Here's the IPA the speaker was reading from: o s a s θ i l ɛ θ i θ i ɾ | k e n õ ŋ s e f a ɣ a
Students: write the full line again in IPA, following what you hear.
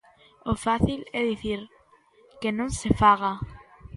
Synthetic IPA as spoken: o f a θ i l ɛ ð i θ i ɾ | k e n õ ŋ s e f a ɣ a